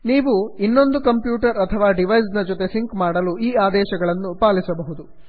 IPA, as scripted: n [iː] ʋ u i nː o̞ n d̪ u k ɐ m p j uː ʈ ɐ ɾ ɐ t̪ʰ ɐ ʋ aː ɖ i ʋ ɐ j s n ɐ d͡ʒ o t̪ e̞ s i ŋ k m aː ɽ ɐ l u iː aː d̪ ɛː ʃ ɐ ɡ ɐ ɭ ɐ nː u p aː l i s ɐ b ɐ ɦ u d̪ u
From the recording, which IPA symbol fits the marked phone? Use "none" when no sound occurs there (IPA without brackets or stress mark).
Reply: iː